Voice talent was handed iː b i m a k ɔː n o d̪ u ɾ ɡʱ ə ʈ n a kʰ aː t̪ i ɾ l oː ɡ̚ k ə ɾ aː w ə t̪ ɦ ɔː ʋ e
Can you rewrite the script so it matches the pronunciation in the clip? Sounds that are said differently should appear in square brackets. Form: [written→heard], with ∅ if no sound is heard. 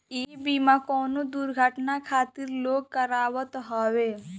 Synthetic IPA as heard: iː b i m a k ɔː n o d̪ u ɾ ɡʱ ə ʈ n a kʰ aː t̪ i ɾ l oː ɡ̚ k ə ɾ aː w ə t̪ ɦ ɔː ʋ e